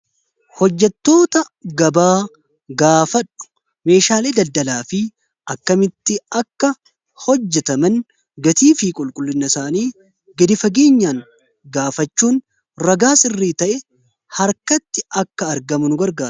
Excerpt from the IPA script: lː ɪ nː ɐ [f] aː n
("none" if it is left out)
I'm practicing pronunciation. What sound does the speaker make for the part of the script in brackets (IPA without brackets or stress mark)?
s